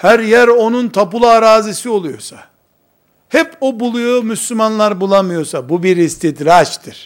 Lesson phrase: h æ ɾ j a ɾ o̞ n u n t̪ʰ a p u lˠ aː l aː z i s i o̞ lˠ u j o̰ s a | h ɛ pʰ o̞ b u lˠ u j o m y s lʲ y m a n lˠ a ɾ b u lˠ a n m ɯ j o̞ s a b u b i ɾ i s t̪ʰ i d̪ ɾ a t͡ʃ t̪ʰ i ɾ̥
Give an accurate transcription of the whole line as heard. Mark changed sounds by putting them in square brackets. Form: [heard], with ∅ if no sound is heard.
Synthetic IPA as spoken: h æ ɾ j [æ] ɾ o̞ n u n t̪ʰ a p u lˠ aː [ɾ] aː z i s i o̞ lˠ u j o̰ s a | h ɛ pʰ o̞ b u lˠ u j o m y s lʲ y m a n lˠ a ɾ b u lˠ a [∅] m ɯ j o̞ s a b u b i ɾ i s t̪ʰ i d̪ ɾ a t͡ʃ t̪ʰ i ɾ̥